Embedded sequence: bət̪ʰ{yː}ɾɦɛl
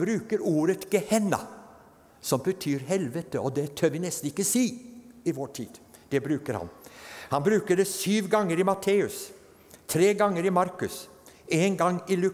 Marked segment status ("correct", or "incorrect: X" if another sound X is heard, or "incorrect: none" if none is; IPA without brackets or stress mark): correct